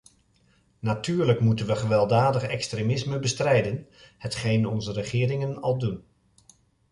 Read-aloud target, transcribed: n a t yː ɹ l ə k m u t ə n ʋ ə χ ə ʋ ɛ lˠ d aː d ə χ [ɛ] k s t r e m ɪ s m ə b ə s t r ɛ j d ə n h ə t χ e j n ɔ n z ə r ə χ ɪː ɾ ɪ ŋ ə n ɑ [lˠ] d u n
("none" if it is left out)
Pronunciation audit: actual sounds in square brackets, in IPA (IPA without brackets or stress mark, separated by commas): ɛ, lˠ